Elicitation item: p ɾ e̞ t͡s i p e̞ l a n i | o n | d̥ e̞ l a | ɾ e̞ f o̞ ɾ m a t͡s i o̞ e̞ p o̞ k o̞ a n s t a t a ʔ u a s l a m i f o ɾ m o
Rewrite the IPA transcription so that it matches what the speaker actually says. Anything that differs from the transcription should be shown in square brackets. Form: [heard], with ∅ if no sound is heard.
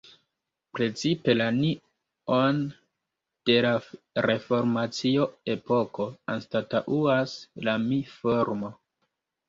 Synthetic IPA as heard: p ɾ e̞ t͡s i p e̞ l a n i | o n | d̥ e̞ l a | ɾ e̞ f o̞ ɾ m a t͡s i o̞ e̞ p o̞ k o̞ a n s t a t a ʔ u a s l a m i f o ɾ m o